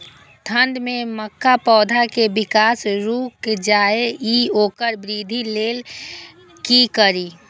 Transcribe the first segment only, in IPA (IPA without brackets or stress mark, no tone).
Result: t̪ʰ